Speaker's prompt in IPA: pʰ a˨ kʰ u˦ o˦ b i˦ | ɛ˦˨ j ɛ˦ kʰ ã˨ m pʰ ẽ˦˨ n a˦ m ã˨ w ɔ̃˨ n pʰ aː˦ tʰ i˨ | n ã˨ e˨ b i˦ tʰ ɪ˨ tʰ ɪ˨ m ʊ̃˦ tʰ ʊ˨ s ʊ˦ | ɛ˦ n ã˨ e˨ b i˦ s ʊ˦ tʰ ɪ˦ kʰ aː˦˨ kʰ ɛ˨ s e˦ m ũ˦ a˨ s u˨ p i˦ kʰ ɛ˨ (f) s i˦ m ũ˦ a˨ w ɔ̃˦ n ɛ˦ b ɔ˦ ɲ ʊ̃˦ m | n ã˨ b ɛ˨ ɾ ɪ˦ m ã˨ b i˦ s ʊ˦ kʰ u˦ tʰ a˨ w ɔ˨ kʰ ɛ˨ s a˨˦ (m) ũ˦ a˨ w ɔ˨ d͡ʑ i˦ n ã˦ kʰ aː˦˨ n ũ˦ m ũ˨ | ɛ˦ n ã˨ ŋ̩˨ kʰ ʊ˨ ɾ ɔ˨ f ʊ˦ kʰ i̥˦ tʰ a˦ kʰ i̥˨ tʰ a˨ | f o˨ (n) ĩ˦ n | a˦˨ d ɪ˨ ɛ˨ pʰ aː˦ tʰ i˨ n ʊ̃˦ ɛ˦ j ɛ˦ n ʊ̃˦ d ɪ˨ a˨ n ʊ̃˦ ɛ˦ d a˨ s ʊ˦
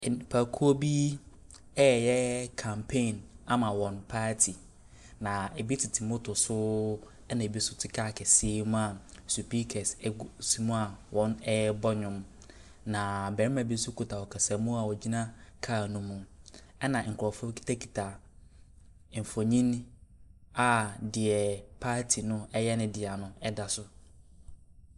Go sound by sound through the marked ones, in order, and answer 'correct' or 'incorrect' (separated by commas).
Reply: incorrect, correct, incorrect